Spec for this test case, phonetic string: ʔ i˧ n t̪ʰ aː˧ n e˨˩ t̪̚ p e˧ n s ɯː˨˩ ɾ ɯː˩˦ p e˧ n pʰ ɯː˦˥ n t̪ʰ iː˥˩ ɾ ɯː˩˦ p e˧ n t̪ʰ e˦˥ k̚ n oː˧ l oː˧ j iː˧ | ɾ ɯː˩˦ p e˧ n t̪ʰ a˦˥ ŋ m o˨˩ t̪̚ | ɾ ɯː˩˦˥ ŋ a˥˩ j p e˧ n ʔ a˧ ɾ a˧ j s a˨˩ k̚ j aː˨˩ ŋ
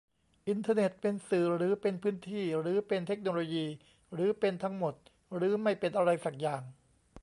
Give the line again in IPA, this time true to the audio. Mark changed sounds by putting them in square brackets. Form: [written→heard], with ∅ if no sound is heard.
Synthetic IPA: ʔ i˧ n t̪ʰ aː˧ n e˨˩ t̪̚ p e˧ n s ɯː˨˩ ɾ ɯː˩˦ p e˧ n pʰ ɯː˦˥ n t̪ʰ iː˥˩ ɾ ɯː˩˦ p e˧ n t̪ʰ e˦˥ k̚ n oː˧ l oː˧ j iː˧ | ɾ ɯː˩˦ p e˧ n t̪ʰ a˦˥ ŋ m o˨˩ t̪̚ | ɾ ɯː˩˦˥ [ŋ→m] a˥˩ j p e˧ n ʔ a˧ ɾ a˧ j s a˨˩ k̚ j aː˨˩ ŋ